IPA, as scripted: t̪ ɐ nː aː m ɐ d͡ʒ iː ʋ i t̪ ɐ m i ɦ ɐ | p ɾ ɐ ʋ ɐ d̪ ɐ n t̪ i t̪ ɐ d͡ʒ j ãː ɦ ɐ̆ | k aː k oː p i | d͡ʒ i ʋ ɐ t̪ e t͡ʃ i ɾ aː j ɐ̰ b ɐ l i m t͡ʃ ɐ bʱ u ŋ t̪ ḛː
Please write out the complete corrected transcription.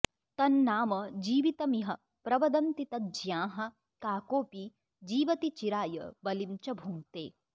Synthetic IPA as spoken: t̪ ɐ nː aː m ɐ d͡ʒ iː ʋ i t̪ ɐ m i ɦ ɐ | p ɾ ɐ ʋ ɐ d̪ ɐ n t̪ i t̪ ɐ d͡ʒ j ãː ɦ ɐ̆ | k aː k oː p i | d͡ʒ iː ʋ ɐ t̪ i t͡ʃ i ɾ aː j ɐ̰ b ɐ l i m t͡ʃ ɐ bʱ u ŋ t̪ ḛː